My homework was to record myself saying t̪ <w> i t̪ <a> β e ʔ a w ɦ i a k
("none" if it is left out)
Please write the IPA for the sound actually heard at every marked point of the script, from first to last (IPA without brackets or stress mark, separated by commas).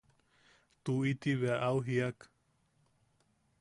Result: u, i